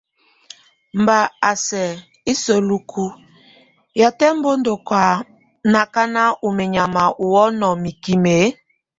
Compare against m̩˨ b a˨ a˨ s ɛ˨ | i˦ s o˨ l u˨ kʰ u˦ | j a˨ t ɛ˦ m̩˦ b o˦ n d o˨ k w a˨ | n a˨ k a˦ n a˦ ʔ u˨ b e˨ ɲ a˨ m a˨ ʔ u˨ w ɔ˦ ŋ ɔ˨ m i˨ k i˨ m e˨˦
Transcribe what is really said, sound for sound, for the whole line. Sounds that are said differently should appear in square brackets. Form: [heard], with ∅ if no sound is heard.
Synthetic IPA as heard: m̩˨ b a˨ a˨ s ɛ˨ | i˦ s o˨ l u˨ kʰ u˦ | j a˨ t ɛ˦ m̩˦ b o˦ n d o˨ k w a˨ | n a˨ k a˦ n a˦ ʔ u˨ [m] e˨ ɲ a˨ m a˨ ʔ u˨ w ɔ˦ [n] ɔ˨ m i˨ k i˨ m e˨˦